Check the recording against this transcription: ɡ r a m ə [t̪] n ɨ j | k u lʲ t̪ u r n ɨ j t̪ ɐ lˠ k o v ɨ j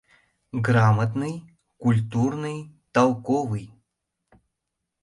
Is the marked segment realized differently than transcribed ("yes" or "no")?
no